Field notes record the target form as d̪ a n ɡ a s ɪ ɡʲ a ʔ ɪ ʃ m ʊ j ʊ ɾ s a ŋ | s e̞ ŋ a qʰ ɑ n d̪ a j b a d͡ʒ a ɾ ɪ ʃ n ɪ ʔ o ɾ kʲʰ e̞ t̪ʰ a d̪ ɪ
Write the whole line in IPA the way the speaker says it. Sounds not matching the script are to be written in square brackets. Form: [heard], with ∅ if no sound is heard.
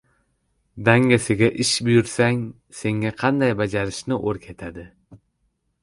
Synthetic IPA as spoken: d̪ a [ŋ] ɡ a s ɪ ɡʲ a ʔ ɪ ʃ [b] ʊ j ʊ ɾ s a ŋ | s e̞ ŋ a qʰ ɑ n d̪ a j b a d͡ʒ a ɾ ɪ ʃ n ɪ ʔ o ɾ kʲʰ e̞ t̪ʰ a d̪ ɪ